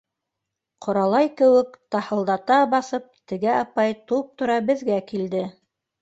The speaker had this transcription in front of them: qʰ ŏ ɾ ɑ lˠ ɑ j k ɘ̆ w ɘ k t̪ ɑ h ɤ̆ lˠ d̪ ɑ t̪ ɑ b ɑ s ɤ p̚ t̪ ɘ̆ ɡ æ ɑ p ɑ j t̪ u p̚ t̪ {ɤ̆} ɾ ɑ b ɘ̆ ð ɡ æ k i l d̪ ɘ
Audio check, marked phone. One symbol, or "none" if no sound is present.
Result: ŏ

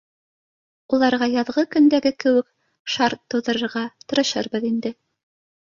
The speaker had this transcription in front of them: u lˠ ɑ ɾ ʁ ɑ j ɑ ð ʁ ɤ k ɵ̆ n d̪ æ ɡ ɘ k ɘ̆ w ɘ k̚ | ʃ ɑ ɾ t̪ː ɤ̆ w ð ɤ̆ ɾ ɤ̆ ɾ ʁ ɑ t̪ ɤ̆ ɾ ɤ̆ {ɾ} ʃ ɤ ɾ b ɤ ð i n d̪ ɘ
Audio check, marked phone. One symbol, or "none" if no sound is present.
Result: none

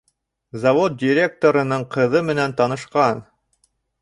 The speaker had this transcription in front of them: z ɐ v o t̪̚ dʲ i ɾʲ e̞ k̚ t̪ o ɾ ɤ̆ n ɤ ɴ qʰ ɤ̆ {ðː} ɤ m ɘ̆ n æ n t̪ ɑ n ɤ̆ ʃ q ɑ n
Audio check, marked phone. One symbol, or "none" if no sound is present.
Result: ð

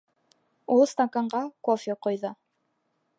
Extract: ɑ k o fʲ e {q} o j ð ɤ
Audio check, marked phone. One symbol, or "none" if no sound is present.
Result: q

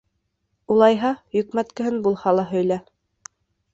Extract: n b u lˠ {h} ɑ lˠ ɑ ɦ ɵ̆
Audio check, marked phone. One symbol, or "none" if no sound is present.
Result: h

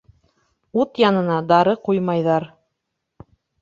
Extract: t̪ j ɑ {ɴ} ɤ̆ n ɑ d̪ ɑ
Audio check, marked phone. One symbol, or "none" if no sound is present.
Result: n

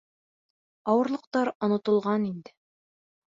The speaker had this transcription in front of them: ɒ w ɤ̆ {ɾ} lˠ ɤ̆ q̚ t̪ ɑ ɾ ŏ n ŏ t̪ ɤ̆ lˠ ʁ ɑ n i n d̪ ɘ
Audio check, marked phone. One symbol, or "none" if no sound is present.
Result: ɾ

